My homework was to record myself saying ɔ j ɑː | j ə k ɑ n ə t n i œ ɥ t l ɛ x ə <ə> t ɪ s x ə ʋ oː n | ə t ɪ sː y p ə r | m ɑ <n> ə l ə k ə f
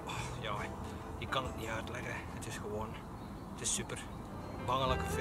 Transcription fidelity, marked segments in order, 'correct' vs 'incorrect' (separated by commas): correct, incorrect